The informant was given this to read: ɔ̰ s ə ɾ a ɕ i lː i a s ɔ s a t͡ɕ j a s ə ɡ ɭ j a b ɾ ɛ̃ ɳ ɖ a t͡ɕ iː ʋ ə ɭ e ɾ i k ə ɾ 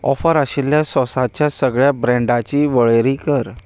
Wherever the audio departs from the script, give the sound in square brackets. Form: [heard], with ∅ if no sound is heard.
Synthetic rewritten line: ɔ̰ [f] ə ɾ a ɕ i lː [j] a s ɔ s a t͡ɕ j a s ə ɡ ɭ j a b ɾ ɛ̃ ɳ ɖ a t͡ɕ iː ʋ ə ɭ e ɾ i k ə ɾ